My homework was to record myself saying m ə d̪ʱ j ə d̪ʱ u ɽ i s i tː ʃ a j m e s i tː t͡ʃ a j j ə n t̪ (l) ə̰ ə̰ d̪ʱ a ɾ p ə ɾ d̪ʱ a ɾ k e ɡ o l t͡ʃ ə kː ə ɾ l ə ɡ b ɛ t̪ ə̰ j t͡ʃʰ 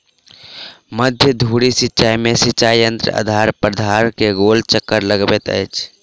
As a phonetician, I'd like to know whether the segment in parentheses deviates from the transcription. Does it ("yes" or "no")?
yes